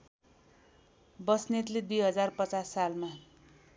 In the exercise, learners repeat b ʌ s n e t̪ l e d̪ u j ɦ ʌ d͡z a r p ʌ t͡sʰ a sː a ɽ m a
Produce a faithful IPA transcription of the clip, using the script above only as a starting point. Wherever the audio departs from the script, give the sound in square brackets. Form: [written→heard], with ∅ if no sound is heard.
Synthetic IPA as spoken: b ʌ s n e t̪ l e d̪ u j ɦ ʌ d͡z a r p ʌ [t͡sʰ→t͡s] a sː a [ɽ→l] m a